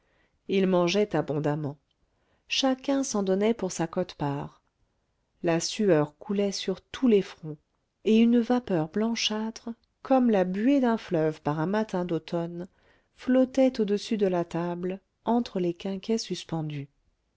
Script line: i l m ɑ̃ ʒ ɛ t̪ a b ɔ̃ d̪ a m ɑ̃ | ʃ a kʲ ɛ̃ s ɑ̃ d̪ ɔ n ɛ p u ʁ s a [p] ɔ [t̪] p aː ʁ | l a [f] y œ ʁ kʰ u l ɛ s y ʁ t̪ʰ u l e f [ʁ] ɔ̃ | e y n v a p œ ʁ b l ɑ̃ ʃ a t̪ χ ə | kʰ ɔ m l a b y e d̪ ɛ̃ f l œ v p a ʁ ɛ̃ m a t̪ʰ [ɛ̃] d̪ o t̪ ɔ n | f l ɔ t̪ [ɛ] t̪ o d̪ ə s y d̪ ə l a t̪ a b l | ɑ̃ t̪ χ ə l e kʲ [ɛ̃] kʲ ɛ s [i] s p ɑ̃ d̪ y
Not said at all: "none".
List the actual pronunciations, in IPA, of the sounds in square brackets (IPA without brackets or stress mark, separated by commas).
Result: k, t̪, s, χ, ɛ̃, ɛ, ɛ̃, y